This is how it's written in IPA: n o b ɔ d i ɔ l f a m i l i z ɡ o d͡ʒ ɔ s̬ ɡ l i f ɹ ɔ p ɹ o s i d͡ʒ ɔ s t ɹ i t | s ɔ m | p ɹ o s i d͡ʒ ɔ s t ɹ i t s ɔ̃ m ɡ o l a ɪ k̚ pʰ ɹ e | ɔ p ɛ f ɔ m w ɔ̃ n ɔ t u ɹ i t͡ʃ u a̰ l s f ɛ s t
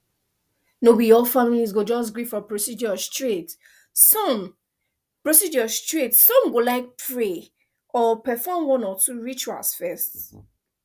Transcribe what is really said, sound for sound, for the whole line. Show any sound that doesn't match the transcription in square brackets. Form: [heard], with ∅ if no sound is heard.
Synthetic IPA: n o b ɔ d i ɔ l f a m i l i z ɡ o d͡ʒ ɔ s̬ ɡ [ɹ] i f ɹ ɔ p ɹ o s i d͡ʒ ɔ s t ɹ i t | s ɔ m | p ɹ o s i d͡ʒ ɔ s t ɹ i t s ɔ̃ m ɡ o l a ɪ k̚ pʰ ɹ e | ɔ p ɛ f ɔ m w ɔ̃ n ɔ t u ɹ i t͡ʃ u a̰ l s f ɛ s t